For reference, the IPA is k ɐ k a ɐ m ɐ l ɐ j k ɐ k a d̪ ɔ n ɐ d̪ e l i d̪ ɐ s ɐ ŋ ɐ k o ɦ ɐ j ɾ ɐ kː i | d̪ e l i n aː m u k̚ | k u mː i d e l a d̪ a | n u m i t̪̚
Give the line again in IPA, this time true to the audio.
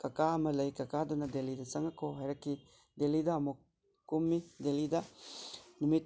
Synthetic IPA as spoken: k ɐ k a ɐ m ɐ l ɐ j k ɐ k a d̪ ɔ n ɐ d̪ e l i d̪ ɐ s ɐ ŋ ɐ k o ɦ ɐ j ɾ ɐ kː i | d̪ e l i d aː m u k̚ | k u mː i d e l i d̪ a | n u m i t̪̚